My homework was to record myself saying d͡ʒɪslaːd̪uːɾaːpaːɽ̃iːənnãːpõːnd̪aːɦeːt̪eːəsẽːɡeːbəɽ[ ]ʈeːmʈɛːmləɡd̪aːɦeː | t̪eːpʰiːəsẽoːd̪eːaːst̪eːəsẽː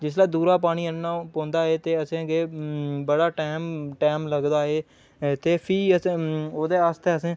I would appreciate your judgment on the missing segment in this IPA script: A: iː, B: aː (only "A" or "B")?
B